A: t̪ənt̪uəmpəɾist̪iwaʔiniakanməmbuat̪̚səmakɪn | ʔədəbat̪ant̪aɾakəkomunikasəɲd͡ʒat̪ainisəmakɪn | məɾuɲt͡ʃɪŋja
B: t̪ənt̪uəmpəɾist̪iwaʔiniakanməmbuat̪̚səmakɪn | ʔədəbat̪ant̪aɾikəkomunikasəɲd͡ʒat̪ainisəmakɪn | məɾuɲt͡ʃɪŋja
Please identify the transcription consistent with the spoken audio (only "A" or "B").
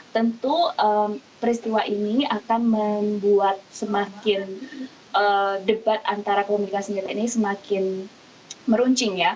A